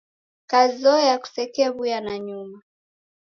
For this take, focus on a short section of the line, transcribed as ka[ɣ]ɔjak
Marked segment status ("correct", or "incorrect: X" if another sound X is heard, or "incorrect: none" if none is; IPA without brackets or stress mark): incorrect: z